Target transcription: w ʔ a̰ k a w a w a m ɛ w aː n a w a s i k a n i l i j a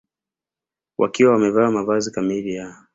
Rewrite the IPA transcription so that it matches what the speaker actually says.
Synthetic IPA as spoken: w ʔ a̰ k i w a w a m ɛ v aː m a v a z i k a m i l i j a

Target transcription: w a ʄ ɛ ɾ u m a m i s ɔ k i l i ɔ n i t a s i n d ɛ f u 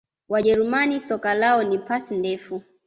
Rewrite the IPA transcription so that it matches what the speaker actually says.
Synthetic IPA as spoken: w a ʄ ɛ ɾ u m a n i s ɔ k a l a ɔ n i p a s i n d ɛ f u

